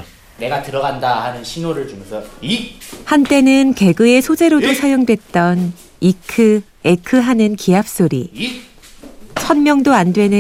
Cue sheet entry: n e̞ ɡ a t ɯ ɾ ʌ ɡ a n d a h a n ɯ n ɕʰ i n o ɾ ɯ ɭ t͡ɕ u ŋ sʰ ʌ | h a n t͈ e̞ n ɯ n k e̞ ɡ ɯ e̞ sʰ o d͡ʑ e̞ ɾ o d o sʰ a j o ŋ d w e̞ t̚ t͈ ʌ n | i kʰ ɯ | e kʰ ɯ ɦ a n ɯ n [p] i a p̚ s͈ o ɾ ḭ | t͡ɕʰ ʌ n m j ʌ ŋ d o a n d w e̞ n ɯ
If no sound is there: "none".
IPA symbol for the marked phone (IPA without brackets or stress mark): k